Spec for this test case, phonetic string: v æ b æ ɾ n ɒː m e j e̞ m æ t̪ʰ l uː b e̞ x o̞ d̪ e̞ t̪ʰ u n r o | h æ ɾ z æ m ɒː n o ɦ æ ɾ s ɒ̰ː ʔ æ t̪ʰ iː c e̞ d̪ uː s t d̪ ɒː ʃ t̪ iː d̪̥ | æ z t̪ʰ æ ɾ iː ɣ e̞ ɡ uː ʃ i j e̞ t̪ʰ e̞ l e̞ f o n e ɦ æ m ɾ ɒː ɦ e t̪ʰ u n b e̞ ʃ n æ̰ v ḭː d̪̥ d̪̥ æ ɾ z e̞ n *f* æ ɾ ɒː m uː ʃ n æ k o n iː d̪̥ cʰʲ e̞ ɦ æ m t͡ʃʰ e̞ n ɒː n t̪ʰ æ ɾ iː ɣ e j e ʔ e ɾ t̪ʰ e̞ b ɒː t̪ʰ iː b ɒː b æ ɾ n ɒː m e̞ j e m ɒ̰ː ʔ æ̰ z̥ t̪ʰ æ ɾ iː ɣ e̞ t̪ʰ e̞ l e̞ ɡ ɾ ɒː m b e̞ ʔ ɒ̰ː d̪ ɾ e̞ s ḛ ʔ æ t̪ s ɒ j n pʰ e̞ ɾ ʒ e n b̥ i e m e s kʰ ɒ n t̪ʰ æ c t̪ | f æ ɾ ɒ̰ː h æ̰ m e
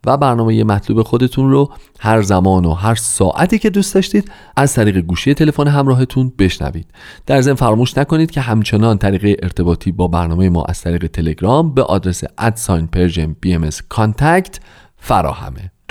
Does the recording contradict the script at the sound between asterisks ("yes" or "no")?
no